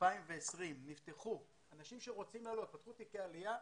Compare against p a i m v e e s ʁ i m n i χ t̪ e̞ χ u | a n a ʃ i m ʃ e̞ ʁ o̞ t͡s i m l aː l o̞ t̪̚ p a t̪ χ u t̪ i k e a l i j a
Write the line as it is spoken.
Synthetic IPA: p a i m v e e s ʁ i m n i f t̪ e̞ χ u | a n a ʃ i m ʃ e̞ ʁ o̞ t͡s i m l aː l o̞ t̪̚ p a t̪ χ u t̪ i k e a l i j a